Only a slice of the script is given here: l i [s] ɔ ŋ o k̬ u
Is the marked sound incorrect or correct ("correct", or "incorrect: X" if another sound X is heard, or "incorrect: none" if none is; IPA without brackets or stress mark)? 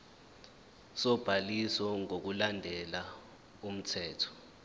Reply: correct